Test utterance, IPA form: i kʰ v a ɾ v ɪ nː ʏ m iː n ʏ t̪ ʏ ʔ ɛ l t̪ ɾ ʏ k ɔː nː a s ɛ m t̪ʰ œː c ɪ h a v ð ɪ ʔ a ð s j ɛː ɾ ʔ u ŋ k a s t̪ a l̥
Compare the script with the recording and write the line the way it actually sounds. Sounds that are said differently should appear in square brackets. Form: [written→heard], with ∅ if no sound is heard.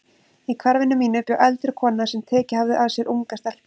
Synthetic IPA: i kʰ v a ɾ v ɪ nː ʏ m iː n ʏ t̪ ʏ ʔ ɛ l t̪ ɾ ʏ [k→kʰ] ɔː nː a s ɛ m t̪ʰ [œː→ɛː] c ɪ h a v ð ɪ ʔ a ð s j [ɛː→ɛ] ɾ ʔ u ŋ k a s t̪ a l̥